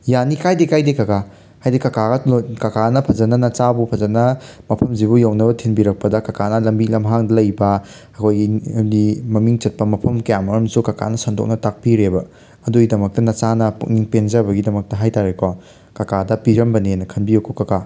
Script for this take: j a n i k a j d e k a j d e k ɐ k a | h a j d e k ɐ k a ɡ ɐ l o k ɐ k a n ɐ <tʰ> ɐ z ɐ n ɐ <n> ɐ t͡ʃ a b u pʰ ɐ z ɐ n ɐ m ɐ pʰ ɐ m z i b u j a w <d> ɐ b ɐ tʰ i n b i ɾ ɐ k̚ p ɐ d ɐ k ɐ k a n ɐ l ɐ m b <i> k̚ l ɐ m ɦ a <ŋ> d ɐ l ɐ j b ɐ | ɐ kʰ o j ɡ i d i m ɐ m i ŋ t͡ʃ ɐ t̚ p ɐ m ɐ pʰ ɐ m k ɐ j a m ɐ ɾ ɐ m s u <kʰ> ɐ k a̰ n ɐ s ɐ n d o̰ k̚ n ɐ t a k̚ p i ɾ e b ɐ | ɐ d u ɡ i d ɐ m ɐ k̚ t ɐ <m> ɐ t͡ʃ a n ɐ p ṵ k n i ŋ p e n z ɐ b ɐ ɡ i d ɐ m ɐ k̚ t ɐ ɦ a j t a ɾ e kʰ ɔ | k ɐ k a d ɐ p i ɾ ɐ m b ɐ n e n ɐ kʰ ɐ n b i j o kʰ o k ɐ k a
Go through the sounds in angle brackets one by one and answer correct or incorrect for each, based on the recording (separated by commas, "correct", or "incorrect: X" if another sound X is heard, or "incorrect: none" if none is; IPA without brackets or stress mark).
incorrect: pʰ, correct, incorrect: n, correct, correct, incorrect: k, incorrect: n